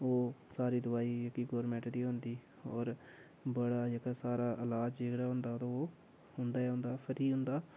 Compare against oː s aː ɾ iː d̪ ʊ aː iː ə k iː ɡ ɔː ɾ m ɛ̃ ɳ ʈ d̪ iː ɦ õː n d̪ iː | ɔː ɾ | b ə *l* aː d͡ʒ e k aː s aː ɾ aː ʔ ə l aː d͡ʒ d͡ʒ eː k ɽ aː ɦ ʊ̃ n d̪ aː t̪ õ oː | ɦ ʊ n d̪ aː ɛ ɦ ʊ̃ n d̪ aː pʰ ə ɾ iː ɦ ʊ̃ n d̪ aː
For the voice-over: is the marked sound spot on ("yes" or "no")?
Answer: no